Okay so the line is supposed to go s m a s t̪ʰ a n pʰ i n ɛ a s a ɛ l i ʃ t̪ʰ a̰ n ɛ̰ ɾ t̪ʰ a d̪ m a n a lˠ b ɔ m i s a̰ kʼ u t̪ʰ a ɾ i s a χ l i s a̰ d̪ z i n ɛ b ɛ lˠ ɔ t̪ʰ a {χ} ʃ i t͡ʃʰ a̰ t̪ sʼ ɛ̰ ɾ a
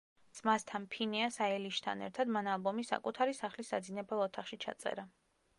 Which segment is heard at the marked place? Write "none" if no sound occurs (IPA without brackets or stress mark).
χ